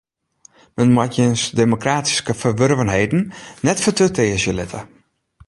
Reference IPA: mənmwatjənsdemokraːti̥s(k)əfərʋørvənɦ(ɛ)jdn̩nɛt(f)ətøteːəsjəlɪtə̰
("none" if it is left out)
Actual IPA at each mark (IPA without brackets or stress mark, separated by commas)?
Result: k, e, f